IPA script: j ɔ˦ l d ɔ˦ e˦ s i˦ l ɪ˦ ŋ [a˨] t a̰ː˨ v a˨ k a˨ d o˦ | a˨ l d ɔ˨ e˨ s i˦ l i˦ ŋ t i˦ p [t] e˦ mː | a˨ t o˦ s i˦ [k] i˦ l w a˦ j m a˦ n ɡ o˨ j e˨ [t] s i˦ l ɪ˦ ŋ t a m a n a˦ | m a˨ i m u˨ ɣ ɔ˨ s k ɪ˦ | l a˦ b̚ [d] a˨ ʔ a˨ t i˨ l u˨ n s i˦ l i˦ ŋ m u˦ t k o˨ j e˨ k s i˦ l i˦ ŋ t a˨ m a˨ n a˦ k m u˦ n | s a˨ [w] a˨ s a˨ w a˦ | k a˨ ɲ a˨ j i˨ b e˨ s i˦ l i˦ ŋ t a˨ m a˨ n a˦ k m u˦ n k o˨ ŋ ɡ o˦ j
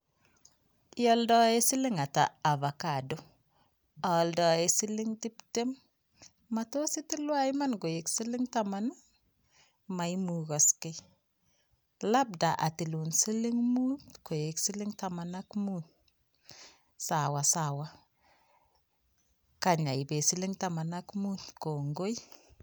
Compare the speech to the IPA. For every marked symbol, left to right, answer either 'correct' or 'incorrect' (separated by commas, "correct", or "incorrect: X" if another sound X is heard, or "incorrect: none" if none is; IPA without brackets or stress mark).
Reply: correct, correct, incorrect: t, incorrect: k, correct, correct